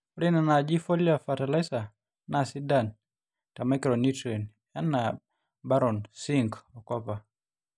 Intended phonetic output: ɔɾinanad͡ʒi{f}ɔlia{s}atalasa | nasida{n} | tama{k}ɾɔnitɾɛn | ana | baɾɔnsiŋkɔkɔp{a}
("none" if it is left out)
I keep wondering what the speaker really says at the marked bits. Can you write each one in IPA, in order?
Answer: f, f, n, k, a

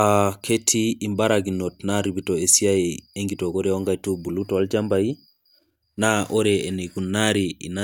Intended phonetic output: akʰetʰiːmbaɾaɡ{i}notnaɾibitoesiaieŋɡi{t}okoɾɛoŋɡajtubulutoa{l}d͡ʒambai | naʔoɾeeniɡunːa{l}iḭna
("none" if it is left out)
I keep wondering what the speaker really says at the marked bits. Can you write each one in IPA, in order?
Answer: i, t, l, ɾ

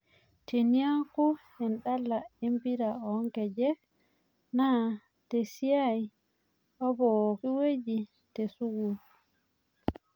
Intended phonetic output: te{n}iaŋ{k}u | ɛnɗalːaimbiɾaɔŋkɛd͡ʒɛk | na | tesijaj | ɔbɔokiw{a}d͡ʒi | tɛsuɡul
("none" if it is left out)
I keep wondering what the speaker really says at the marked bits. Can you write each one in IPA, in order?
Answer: n, k, e

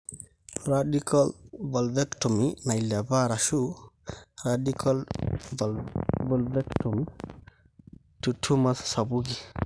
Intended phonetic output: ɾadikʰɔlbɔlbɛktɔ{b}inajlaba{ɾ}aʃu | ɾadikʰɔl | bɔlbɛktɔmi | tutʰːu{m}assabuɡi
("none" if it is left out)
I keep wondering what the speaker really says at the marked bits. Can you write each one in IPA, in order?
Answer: m, ɾ, m

